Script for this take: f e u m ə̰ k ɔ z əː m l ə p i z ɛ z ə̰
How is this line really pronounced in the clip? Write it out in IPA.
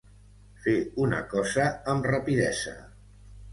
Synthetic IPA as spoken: f e u n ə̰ k ɔ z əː m r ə p i ð ɛ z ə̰